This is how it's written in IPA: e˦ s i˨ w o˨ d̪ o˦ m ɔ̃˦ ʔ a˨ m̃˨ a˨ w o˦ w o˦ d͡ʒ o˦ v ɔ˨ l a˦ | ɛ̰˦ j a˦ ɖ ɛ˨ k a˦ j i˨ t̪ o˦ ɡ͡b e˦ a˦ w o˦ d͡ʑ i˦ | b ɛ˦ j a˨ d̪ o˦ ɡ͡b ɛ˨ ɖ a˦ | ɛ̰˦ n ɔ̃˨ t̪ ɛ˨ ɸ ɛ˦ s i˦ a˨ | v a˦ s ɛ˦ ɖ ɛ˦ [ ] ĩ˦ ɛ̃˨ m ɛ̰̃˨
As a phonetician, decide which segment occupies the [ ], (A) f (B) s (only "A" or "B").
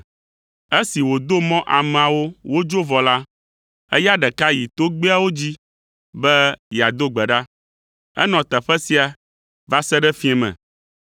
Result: A